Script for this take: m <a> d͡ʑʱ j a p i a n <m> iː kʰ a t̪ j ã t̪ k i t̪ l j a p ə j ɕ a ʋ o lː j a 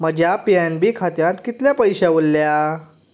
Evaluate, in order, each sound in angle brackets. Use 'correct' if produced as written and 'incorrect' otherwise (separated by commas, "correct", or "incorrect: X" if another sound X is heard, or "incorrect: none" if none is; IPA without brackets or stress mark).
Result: incorrect: ə, incorrect: b